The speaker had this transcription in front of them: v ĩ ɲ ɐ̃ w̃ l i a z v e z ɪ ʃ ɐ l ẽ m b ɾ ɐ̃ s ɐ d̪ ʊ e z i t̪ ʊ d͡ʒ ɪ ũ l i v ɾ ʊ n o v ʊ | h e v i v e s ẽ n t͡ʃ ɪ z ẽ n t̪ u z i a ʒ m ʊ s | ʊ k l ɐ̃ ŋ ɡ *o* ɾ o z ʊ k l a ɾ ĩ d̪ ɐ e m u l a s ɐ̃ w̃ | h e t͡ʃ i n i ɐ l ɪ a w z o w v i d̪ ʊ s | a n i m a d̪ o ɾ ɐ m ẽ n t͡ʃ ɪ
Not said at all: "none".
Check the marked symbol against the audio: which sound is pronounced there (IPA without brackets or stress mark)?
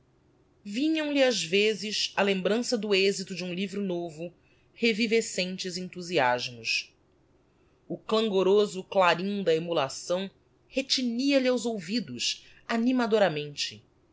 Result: o